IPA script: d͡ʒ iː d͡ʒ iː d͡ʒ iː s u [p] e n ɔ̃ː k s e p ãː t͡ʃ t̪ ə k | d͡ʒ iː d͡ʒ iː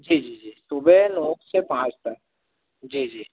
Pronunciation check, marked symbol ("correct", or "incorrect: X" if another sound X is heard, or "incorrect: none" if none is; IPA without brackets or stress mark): incorrect: b